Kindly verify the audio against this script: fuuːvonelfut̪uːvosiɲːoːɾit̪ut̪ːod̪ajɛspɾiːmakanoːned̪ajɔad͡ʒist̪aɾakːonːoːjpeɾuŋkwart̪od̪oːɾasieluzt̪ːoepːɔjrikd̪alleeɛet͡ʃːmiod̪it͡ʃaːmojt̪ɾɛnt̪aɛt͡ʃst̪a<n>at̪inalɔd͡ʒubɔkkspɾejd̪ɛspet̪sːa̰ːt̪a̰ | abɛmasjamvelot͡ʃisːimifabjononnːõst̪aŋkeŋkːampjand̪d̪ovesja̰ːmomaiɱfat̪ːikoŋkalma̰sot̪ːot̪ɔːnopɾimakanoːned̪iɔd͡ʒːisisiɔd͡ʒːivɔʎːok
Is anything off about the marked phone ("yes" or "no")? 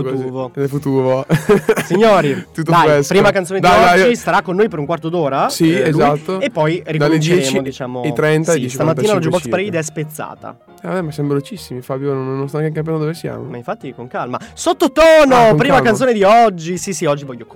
yes